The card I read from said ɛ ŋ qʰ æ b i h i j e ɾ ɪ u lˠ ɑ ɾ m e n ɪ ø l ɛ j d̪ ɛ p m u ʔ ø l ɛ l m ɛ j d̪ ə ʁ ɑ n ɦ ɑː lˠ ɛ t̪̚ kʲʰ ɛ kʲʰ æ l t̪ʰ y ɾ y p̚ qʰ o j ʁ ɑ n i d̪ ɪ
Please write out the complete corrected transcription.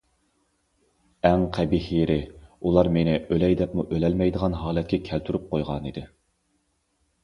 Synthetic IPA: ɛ ŋ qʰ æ b i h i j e ɾ ɪ u lˠ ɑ ɾ m e n ɪ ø l ɛ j d̪ ɛ p m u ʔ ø l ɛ l m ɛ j d̪ ə ʁ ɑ n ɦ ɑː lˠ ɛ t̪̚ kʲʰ ɛ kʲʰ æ l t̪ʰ y ɾ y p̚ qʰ o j ʁ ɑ n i d̪ ɪ